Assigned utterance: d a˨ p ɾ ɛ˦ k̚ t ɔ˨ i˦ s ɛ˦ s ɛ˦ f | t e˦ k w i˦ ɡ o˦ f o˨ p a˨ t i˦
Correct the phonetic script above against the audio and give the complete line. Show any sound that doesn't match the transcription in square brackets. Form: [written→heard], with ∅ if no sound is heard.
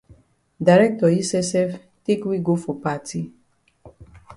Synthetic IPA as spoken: d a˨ [p→∅] ɾ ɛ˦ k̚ t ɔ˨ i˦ s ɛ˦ s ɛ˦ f | t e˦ k w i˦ ɡ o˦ f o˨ p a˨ t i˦